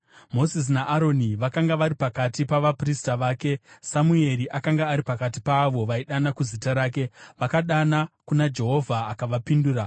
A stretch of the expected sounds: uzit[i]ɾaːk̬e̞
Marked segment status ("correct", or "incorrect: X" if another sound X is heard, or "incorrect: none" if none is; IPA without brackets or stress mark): incorrect: a